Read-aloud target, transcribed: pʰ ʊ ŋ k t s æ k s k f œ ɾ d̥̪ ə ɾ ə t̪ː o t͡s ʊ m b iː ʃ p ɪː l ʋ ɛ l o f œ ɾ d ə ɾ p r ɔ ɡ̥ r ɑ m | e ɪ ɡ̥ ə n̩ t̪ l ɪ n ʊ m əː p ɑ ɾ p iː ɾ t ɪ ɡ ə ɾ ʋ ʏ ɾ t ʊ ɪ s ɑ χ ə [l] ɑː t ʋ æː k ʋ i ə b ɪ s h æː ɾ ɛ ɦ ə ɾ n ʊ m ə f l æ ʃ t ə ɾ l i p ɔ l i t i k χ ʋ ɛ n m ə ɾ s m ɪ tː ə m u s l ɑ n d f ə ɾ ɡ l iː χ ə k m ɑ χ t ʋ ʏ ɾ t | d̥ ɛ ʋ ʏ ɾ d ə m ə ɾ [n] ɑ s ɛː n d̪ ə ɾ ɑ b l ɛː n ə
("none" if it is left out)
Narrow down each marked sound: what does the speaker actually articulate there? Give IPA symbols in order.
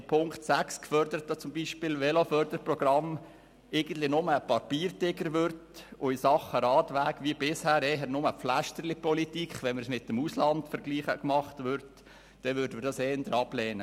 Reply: ɾ, d

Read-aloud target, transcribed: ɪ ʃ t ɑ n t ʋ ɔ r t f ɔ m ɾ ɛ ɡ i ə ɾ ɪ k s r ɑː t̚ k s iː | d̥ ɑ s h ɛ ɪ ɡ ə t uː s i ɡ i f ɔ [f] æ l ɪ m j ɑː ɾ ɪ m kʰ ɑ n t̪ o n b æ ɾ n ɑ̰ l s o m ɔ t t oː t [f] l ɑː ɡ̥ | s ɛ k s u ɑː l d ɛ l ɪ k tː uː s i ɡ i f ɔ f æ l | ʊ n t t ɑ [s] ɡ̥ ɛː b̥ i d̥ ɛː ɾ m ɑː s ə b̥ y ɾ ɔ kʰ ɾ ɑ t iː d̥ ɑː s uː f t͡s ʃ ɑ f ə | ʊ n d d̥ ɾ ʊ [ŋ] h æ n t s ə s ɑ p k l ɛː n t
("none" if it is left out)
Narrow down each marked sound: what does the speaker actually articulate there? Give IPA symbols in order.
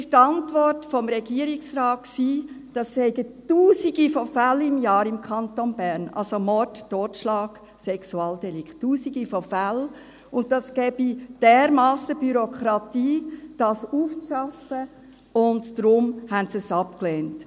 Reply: f, ʃ, s, m

